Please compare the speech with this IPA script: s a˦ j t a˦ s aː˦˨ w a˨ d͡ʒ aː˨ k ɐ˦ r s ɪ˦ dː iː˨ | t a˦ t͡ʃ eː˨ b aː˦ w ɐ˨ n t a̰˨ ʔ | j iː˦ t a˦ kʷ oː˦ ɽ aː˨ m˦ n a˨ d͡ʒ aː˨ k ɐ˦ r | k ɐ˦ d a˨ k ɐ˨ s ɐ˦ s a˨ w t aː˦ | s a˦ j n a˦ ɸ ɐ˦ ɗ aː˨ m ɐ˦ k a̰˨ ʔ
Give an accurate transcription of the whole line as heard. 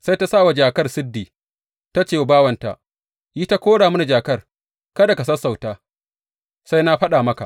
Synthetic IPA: s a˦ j t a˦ s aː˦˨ w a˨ d͡ʒ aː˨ k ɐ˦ r s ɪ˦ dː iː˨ | t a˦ t͡ʃ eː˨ b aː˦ w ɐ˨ n t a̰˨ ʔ | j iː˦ t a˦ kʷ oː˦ ɽ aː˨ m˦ n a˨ d͡ʒ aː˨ k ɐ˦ r | k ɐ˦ d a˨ k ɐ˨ s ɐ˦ s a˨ w t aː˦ | s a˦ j n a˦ ɸ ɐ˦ ɗ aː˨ m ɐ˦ k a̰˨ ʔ